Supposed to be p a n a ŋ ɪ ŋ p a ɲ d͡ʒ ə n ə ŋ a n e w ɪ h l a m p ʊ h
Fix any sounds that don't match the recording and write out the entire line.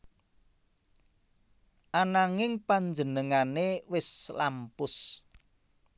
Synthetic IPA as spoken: ʔ a n a ŋ ɪ ŋ p a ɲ d͡ʒ ə n ə ŋ a n e w ɪ s l a m p ʊ s